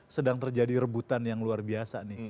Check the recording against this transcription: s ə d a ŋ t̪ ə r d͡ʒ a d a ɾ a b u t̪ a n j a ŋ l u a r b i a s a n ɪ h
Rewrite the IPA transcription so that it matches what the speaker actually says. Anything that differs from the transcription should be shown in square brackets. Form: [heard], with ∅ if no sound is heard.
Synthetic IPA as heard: s ə d a ŋ t̪ ə r d͡ʒ a d [i] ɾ [ə] b u t̪ a n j a ŋ l u a r b i a s a n ɪ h

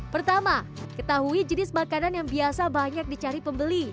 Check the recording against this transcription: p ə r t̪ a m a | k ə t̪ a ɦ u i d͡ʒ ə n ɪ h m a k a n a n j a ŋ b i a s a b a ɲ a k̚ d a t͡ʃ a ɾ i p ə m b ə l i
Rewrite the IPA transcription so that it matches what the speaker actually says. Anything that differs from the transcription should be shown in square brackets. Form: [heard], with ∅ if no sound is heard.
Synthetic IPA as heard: p ə r t̪ a m a | k ə t̪ a ɦ u i d͡ʒ ə n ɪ [s] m a k a n a n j a ŋ b i a s a b a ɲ a k̚ d [i] t͡ʃ a ɾ i p ə m b ə l i

